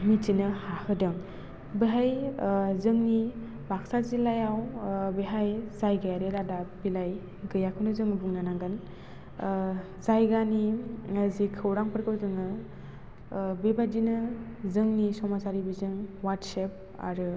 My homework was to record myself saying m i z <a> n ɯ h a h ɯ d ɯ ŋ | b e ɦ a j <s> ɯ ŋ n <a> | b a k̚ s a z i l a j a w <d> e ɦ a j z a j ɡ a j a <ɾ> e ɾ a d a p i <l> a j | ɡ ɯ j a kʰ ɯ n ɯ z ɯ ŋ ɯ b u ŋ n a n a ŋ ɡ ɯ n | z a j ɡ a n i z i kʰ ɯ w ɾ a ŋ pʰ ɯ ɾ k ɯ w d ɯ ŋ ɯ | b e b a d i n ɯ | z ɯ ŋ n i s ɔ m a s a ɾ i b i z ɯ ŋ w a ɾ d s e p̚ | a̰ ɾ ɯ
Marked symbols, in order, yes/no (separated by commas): no, no, no, no, yes, yes